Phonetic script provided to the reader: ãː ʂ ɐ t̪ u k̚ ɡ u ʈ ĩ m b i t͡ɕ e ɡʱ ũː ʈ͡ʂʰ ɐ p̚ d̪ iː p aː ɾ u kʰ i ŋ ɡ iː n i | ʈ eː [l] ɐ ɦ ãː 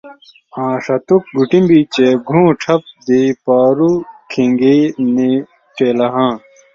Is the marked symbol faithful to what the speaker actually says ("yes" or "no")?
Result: yes